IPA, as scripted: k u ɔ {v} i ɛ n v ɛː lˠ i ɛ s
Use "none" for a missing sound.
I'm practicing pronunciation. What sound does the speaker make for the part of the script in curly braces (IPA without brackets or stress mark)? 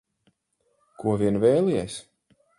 v